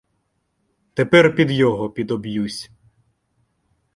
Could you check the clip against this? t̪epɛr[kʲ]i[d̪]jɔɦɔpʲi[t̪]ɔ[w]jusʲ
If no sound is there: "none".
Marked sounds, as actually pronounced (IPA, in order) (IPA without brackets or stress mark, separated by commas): pʲ, d̪, d̪, b